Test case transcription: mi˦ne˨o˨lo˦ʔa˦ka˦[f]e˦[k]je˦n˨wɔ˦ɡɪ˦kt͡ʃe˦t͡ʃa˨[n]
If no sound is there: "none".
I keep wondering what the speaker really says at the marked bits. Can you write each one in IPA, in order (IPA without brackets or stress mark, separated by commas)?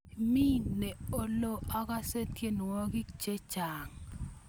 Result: s, t, ŋ